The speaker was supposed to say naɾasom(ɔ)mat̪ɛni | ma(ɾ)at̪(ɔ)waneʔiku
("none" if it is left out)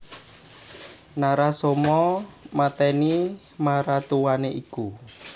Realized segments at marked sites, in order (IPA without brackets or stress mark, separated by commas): ɔ, ɾ, u